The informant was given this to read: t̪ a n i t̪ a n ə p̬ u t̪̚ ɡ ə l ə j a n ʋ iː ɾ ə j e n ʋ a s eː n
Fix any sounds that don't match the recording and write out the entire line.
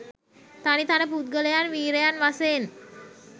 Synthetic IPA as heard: t̪ a n i t̪ a n ə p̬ u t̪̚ ɡ ə l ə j a n ʋ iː ɾ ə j a n ʋ a s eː n